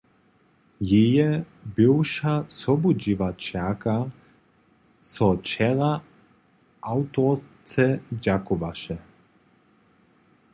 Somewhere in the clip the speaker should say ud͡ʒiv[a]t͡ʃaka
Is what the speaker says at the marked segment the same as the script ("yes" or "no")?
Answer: yes